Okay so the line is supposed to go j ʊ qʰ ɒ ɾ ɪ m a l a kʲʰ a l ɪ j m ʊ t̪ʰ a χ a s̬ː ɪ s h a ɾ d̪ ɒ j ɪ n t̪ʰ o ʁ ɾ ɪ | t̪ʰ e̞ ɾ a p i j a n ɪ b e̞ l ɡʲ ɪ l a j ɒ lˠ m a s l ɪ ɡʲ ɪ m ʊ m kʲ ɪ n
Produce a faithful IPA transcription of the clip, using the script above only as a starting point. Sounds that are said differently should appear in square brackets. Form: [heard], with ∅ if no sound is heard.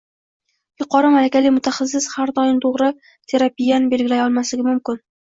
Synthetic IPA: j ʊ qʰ ɒ ɾ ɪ m a l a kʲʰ a l ɪ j m ʊ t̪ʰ a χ a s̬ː ɪ s h a ɾ d̪ ɒ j ɪ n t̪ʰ o ʁ ɾ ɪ | t̪ʰ e̞ ɾ a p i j a n ɪ b e̞ l ɡʲ ɪ l a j ɒ lˠ m a s l ɪ ɡʲ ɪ m ʊ m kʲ ɪ n